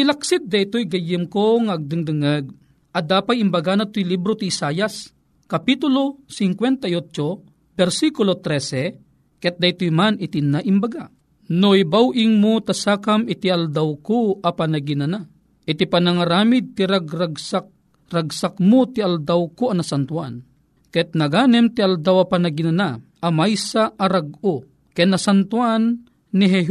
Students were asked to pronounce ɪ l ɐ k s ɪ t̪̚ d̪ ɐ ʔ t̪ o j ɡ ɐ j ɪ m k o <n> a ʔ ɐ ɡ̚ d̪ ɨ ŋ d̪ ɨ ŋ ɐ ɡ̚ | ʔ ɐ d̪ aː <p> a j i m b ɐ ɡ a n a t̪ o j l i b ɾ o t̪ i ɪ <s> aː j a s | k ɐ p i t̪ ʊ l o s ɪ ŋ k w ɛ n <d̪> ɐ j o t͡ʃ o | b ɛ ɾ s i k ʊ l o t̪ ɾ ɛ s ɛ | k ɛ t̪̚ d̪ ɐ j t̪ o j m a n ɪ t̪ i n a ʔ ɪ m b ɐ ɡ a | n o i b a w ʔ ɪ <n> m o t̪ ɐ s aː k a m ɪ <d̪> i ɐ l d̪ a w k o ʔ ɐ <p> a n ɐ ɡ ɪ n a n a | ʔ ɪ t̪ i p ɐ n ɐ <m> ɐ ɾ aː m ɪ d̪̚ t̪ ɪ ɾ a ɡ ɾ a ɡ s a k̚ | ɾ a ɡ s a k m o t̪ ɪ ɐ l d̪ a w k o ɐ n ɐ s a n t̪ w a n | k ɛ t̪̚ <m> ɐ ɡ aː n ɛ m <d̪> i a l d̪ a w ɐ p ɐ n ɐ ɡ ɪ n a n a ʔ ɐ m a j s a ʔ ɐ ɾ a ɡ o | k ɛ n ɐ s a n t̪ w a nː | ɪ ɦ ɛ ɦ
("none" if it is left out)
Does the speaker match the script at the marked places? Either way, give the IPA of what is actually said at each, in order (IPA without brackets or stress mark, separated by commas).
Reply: ŋ, p, s, t̪, ŋ, t̪, p, ŋ, n, t̪